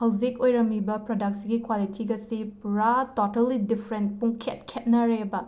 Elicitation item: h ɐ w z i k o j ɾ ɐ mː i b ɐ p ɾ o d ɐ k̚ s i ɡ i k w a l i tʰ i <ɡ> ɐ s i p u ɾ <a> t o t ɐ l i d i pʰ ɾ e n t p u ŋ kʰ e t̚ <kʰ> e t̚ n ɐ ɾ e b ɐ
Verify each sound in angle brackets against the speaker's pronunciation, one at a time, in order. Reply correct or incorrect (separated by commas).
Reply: correct, correct, correct